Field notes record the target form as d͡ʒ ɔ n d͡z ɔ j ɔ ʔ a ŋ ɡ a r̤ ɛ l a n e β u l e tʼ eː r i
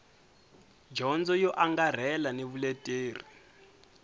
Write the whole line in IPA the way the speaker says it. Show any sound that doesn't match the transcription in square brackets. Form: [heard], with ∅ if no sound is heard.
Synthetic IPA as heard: d͡ʒ ɔ n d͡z ɔ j ɔ ʔ a ŋ ɡ a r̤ ɛ l a n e β u l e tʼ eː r i